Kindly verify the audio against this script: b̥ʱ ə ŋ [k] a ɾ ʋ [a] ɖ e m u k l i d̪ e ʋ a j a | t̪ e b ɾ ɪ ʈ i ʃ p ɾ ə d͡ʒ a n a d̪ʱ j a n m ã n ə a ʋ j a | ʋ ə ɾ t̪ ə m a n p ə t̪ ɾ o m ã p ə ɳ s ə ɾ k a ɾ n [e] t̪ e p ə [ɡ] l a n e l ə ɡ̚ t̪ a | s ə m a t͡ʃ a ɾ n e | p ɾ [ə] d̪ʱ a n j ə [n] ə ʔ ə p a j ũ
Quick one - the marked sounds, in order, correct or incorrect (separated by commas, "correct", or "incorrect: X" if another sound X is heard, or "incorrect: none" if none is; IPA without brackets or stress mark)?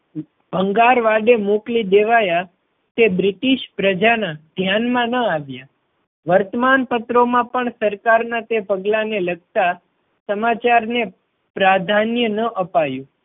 incorrect: ɡ, correct, incorrect: a, correct, incorrect: a, correct